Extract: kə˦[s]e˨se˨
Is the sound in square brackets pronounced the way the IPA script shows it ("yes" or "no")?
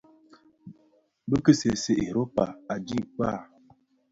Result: yes